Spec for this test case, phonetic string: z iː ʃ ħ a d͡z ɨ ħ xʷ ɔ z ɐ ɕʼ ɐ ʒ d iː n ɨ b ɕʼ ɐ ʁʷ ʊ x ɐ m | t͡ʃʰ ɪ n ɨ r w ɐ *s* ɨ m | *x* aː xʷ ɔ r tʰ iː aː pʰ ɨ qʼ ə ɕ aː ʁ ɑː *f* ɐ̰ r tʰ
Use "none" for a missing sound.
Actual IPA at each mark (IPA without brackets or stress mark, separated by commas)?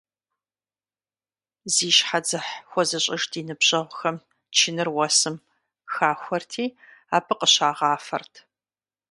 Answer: s, x, f